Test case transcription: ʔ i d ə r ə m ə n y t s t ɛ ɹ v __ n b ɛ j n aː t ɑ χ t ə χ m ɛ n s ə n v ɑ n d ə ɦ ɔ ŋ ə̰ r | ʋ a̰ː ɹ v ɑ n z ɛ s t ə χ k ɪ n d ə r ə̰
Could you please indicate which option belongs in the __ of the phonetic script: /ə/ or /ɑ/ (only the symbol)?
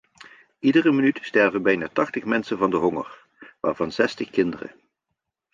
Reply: ə